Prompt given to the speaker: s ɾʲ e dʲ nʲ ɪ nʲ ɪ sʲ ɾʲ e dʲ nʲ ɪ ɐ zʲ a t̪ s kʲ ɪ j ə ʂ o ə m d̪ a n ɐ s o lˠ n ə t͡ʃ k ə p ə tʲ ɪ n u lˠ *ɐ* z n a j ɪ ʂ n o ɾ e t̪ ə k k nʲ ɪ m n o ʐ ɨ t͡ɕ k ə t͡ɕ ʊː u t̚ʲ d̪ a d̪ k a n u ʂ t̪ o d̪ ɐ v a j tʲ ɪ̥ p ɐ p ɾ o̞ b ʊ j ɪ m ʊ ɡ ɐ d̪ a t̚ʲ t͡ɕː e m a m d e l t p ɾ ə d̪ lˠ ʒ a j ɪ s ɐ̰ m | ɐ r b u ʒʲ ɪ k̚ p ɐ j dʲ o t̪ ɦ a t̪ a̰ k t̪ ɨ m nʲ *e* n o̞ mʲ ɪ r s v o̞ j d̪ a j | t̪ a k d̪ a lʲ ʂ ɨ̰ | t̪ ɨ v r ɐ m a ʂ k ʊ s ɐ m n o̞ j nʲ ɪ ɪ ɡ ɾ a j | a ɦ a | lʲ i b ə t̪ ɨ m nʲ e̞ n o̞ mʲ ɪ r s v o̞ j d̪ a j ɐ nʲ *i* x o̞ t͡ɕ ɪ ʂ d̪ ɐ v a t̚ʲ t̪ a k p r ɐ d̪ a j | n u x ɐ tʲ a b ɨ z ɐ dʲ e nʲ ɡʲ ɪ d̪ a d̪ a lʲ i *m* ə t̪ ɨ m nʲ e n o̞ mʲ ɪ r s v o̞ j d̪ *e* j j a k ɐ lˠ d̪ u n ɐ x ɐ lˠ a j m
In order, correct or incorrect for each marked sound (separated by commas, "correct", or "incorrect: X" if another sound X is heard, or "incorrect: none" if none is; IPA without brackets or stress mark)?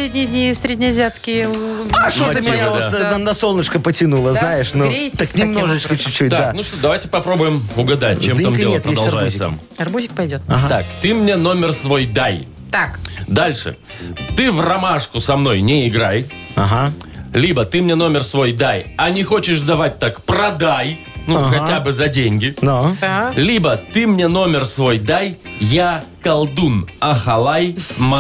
incorrect: ə, correct, incorrect: ɪ, incorrect: b, incorrect: a